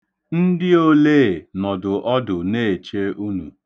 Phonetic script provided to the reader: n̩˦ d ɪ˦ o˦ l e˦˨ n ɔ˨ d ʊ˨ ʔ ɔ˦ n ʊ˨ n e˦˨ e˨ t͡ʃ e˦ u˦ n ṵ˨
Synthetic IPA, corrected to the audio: n̩˦ d ɪ˦ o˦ l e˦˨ n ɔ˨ d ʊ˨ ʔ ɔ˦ d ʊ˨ n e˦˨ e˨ t͡ʃ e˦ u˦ n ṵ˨